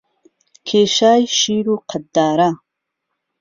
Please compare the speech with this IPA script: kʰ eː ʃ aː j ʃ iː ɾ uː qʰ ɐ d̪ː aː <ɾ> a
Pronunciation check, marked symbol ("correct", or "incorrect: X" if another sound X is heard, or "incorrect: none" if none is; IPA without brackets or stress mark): correct